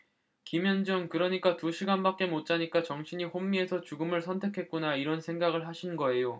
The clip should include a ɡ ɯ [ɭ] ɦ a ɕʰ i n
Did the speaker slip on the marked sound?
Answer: no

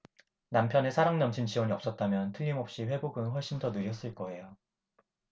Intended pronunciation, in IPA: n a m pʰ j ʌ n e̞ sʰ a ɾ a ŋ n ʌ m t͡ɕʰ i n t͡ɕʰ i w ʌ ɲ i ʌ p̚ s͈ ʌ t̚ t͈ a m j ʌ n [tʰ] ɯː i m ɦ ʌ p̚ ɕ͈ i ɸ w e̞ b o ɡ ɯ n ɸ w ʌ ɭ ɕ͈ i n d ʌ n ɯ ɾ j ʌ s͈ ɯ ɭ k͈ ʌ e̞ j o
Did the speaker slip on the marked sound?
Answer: no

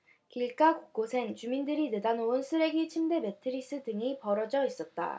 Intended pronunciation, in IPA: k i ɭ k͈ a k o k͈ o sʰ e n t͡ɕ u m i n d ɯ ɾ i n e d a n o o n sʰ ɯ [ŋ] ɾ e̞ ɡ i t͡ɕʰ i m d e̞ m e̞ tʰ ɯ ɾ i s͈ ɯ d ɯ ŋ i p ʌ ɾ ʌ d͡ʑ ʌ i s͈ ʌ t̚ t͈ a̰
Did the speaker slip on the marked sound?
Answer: yes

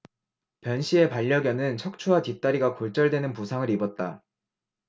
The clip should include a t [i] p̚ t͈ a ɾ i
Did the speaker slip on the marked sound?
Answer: no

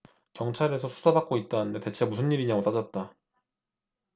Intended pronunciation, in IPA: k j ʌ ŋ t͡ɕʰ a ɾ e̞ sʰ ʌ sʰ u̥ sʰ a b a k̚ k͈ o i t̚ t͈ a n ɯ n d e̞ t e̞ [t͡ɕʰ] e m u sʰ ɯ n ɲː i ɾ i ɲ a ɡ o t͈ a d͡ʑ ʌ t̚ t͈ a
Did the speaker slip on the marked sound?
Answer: no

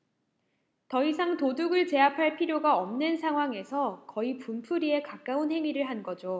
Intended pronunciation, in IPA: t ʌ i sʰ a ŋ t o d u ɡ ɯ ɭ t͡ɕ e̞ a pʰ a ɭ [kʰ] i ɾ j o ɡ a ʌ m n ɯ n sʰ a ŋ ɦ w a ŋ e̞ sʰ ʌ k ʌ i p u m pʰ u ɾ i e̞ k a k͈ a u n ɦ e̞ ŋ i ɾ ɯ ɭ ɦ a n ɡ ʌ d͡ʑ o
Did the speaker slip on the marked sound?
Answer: yes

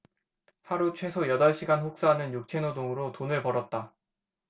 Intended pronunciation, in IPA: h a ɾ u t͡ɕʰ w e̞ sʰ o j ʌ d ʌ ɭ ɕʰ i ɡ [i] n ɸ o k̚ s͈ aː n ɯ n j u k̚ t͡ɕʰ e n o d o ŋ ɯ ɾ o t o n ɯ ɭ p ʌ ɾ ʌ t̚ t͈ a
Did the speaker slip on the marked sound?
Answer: yes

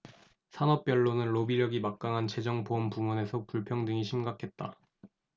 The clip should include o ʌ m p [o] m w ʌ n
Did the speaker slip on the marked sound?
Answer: yes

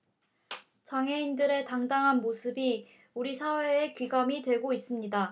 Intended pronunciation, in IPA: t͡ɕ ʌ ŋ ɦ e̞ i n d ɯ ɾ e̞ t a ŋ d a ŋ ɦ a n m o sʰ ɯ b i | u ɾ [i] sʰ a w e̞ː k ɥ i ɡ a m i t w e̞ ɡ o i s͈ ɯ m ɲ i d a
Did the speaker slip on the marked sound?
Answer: no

